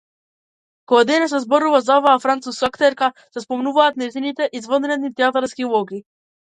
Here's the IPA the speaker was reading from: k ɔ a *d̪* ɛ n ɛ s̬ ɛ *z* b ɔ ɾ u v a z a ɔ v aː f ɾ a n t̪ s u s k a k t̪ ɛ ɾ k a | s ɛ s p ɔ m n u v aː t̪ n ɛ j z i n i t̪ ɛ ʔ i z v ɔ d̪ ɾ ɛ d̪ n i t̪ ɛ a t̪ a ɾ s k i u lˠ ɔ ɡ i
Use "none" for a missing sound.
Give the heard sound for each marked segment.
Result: d̪, z

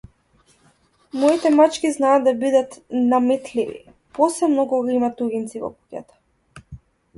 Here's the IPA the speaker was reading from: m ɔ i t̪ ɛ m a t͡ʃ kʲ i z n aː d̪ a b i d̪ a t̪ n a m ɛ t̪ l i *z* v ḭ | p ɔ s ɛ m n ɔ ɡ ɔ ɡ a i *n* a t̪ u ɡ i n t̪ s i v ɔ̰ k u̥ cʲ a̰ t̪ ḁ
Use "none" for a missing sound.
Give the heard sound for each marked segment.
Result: none, m

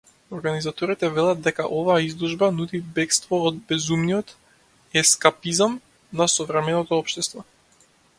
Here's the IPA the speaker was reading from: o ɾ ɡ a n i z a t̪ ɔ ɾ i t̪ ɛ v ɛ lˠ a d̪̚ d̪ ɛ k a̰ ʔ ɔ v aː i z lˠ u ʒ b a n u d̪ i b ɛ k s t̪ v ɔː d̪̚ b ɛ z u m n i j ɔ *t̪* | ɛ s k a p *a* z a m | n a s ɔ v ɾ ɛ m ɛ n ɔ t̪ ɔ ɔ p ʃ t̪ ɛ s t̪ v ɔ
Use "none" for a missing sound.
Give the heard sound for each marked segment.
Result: t̪, i

